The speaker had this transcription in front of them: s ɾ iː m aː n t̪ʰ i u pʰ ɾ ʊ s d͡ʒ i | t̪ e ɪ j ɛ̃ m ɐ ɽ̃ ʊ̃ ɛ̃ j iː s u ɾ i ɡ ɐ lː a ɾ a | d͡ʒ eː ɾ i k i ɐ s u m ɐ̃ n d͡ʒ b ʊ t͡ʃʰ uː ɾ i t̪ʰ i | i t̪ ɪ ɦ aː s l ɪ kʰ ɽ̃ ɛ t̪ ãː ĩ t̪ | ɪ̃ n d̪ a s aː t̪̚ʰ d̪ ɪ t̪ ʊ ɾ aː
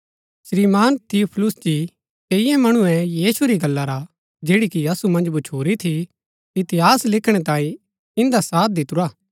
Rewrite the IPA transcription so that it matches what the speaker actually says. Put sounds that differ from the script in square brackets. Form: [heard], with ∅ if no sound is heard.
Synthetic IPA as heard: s ɾ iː m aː n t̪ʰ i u pʰ [l] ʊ s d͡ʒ i | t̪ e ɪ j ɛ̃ m ɐ ɽ̃ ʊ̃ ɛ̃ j iː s u ɾ i ɡ ɐ lː a ɾ a | d͡ʒ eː [ɽ] i k i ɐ s u m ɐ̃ n d͡ʒ b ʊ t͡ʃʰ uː ɾ i t̪ʰ i | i t̪ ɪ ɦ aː s l ɪ kʰ ɽ̃ ɛ t̪ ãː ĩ [∅] | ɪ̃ n d̪ a s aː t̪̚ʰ d̪ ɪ t̪ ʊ ɾ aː